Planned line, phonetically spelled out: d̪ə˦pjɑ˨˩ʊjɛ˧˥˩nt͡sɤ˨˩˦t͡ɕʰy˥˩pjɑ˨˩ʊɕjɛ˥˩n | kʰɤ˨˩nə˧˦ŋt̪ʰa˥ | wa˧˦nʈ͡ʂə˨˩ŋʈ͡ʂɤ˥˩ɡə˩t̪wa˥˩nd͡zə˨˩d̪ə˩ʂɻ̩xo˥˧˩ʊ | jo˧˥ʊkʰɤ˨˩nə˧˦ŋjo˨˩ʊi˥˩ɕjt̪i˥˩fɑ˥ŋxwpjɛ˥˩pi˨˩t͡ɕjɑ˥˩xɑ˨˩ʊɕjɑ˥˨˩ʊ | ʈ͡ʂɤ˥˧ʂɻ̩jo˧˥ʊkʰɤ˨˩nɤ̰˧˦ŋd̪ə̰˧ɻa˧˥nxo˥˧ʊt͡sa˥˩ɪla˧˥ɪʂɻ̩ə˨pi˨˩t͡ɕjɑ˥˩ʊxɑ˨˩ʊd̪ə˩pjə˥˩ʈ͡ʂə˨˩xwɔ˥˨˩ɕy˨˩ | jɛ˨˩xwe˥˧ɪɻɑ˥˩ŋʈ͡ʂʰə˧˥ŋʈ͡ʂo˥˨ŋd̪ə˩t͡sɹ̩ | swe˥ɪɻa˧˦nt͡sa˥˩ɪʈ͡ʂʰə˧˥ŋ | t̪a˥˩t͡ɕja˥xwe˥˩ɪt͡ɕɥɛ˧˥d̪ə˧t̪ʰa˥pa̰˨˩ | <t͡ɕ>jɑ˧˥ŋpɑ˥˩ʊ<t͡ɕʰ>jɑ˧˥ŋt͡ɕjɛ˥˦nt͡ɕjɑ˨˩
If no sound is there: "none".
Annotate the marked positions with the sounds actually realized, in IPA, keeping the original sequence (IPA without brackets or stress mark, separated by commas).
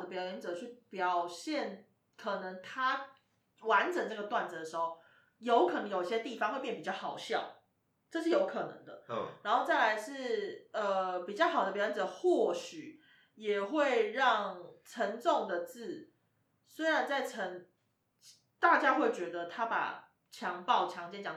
t͡ɕʰ, t͡ɕʰ